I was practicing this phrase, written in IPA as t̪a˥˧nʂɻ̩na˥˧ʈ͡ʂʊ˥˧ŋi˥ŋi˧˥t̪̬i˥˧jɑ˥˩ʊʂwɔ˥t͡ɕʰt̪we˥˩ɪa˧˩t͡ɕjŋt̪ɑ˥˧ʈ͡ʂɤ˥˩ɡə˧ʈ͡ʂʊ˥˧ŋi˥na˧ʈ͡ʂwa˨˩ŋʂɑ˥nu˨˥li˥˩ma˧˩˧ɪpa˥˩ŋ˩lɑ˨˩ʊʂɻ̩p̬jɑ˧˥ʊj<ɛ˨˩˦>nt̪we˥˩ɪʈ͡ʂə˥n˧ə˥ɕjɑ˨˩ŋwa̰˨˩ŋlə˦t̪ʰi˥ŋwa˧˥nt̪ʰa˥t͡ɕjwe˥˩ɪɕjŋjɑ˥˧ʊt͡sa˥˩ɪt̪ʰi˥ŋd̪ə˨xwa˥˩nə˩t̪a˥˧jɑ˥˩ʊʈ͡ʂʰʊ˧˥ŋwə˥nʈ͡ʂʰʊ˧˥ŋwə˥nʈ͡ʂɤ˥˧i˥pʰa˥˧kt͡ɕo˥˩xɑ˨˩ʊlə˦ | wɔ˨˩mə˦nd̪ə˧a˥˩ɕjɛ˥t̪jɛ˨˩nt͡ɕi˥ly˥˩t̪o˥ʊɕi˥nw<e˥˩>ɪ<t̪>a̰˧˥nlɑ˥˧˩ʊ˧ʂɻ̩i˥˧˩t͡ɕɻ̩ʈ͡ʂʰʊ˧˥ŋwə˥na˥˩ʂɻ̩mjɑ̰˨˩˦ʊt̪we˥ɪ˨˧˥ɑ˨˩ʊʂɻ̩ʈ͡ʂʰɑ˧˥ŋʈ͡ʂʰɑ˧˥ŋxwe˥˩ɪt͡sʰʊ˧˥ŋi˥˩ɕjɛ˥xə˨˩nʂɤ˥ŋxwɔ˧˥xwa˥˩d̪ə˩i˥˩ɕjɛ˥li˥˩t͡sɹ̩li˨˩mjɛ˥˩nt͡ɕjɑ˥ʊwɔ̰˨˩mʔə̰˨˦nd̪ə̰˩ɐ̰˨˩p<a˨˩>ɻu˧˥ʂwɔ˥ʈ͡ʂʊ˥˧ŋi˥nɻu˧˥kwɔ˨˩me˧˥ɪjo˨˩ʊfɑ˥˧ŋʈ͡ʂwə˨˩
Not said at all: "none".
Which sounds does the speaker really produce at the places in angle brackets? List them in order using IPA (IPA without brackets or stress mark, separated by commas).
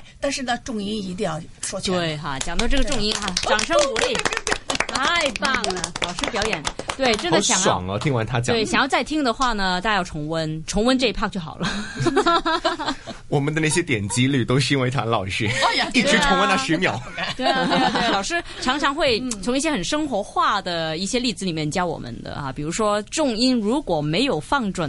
ɛ˨˩˦, e˧˥, t̪ʰ, i˨˩